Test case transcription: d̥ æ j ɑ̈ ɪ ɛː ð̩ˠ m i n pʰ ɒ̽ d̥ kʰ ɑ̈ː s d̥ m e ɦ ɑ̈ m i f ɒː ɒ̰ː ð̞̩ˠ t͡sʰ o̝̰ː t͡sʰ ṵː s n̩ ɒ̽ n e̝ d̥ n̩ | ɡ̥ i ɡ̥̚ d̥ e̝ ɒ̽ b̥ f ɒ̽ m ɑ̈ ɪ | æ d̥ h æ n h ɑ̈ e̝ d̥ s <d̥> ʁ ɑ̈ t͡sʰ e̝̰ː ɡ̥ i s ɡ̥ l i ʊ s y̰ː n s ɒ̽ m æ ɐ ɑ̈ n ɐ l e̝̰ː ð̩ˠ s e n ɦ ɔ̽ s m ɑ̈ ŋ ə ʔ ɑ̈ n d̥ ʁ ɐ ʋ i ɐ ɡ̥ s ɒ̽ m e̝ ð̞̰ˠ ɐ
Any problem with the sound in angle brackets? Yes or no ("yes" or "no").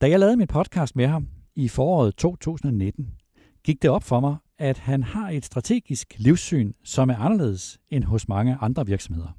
no